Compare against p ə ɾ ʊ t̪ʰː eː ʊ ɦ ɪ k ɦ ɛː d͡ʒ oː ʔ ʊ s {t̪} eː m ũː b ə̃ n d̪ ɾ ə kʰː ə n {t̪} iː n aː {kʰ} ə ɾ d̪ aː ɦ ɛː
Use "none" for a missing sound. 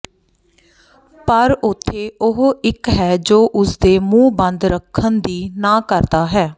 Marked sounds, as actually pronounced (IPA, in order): d̪, d̪, k

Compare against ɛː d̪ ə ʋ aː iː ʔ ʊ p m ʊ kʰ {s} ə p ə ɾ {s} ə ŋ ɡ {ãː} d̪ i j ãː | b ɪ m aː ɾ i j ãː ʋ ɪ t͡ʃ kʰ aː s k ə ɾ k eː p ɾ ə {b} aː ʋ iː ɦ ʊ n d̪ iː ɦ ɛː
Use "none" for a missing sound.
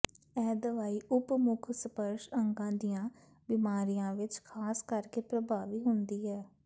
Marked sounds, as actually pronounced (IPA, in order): s, ʃ, ãː, b

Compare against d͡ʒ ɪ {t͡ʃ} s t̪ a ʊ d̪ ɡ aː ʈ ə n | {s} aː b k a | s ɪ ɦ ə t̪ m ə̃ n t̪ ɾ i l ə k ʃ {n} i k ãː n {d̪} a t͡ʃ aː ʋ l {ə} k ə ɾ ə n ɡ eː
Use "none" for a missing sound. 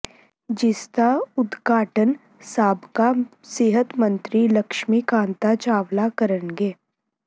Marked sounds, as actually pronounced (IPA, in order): none, s, m, t̪, a

